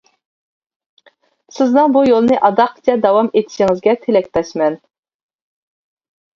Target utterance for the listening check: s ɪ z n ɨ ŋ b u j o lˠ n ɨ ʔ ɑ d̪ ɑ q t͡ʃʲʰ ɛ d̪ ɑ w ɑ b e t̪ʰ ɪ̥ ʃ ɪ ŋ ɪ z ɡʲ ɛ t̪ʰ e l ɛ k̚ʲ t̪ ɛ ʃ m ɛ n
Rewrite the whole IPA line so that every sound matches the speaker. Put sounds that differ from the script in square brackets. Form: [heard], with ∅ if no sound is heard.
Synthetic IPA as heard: s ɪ z n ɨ ŋ b u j o lˠ n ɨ ʔ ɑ d̪ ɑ q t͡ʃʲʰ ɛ d̪ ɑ w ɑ [m] e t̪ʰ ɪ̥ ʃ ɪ ŋ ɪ z ɡʲ ɛ t̪ʰ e l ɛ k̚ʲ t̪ ɛ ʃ m ɛ n